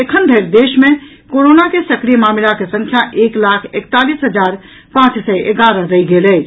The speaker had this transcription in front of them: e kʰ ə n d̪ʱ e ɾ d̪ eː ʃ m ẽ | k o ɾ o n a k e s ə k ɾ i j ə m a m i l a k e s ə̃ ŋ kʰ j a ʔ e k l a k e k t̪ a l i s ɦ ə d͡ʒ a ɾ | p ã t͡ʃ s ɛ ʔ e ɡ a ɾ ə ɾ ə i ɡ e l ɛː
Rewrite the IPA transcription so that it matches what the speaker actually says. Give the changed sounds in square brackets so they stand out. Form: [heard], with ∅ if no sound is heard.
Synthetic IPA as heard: e kʰ ə n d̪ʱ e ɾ d̪ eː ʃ m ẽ | k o ɾ o n a k e s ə k ɾ i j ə m a m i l a k e s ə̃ ŋ kʰ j a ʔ e k l a [kʰ] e k t̪ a l i s ɦ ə d͡ʒ a ɾ | p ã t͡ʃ s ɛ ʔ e ɡ a ɾ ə ɾ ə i ɡ e l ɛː